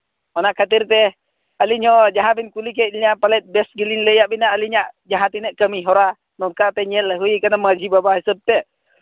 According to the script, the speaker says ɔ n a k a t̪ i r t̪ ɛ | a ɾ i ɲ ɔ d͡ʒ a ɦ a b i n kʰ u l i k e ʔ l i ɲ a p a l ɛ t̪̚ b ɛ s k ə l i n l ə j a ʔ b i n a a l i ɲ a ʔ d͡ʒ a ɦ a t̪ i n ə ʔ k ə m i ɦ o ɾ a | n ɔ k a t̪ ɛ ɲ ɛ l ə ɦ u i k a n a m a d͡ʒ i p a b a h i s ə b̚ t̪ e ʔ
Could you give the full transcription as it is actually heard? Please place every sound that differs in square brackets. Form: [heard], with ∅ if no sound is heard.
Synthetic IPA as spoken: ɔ n a k a t̪ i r t̪ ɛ | a [l] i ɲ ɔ d͡ʒ a ɦ a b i n [k] u l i k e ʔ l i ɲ a p a l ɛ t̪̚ b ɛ s [ɡ] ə l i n l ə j a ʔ b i n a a l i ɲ a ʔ d͡ʒ a ɦ a t̪ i n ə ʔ k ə m i ɦ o ɾ a | n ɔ k a t̪ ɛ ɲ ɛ l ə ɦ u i k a n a m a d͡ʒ i [b] a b a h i s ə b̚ t̪ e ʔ